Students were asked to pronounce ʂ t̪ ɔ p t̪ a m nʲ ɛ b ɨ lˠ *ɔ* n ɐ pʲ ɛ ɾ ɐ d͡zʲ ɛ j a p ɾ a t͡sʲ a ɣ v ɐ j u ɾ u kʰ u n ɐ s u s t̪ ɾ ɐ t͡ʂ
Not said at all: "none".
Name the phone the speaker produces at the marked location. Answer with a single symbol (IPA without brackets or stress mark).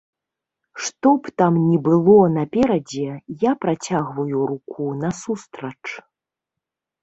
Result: ɔ